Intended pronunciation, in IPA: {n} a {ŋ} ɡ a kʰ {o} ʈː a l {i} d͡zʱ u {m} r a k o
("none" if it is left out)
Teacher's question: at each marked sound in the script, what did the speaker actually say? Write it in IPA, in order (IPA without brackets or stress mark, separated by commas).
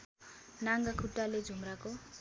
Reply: n, ŋ, u, e, m